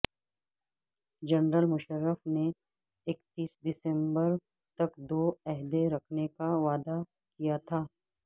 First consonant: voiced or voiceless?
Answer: voiced